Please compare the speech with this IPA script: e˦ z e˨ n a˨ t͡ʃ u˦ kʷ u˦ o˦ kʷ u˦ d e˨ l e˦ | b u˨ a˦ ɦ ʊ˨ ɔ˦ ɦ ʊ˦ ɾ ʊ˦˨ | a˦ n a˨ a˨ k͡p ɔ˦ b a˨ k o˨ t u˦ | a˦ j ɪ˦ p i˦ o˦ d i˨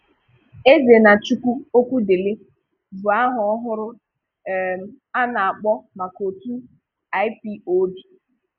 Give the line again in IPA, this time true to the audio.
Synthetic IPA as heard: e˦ z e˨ n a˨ t͡ʃ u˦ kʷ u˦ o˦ kʷ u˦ d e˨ l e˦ | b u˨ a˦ ɦ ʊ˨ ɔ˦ ɦ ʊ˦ ɾ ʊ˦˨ | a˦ n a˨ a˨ k͡p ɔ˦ m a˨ k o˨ t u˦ | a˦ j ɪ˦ p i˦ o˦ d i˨